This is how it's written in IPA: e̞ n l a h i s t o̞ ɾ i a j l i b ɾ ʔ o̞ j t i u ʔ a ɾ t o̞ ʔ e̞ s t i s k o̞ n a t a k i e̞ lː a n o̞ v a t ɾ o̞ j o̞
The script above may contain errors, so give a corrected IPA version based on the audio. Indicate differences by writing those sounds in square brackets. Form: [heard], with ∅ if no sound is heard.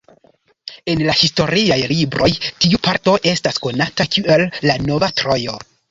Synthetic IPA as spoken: e̞ n l a h i s t o̞ ɾ i a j l i b ɾ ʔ o̞ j t i u [p] a ɾ t o̞ ʔ e̞ s t [a] s k o̞ n a t a k i e̞ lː a n o̞ v a t ɾ o̞ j o̞